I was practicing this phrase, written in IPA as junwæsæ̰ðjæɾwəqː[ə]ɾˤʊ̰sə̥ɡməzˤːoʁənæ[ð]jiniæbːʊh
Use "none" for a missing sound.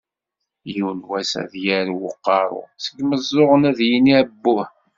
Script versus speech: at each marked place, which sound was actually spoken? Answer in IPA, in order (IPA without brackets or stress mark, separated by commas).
ɑ, ð